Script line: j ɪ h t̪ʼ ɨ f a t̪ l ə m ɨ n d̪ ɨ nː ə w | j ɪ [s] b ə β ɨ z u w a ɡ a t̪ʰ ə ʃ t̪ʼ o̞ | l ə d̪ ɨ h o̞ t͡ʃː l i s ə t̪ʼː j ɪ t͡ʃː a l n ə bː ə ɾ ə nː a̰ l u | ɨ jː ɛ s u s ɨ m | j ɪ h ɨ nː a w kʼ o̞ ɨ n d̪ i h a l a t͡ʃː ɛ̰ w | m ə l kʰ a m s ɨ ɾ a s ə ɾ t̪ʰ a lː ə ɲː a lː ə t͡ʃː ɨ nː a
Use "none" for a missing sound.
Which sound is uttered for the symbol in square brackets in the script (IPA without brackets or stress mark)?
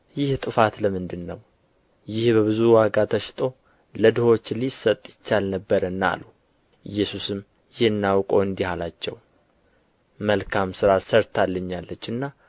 h